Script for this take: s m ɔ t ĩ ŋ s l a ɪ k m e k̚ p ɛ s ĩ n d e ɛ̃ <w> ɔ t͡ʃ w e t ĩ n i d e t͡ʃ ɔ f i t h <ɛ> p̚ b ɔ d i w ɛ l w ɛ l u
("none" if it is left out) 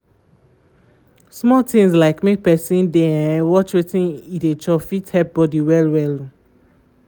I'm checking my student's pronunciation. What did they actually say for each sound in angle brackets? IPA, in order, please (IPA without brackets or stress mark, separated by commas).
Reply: w, ɛ